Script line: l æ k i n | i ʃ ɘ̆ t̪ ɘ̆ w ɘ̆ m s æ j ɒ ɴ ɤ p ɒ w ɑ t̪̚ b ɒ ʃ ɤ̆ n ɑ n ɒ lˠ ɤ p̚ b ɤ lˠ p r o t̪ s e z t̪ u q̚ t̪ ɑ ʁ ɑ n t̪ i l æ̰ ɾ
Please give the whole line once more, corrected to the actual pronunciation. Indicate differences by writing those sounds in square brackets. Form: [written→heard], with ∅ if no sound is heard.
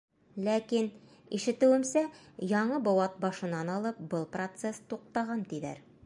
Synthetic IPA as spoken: l æ k i n | i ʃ ɘ̆ t̪ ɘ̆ w ɘ̆ m s æ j ɒ ɴ ɤ [p→b] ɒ w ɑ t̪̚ b ɒ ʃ ɤ̆ n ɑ n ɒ lˠ ɤ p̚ b ɤ lˠ p r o t̪ s e [z→s] t̪ u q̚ t̪ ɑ ʁ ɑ n t̪ i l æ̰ ɾ